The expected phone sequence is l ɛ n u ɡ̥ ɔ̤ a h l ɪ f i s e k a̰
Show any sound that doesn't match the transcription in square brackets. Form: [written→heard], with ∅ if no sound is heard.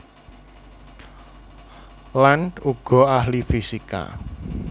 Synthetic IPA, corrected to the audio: l [ɛ→a] n u ɡ̥ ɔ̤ a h l [ɪ→i] f i s [e→i] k a̰